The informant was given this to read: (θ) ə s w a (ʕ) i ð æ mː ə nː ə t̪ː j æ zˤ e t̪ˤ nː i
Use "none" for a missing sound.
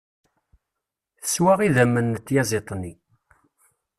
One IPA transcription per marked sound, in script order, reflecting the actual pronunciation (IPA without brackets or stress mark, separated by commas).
θ, ʁ